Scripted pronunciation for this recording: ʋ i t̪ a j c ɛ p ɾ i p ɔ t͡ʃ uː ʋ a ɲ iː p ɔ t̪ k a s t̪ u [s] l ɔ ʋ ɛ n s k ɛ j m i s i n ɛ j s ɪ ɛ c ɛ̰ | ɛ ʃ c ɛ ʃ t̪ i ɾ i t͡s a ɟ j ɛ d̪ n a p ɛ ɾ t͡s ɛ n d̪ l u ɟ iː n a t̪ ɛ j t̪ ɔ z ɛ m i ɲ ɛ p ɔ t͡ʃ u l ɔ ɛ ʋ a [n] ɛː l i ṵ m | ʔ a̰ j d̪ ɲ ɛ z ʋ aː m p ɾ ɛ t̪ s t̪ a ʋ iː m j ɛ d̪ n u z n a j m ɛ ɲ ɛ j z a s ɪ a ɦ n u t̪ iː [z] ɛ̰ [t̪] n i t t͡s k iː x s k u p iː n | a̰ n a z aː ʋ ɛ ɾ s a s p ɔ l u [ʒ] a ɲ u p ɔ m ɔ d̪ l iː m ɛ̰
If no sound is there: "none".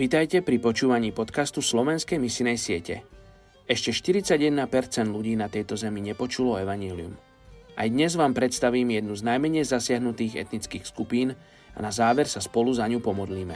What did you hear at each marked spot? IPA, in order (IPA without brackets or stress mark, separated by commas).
s, ɲ, ɣ, t̪, z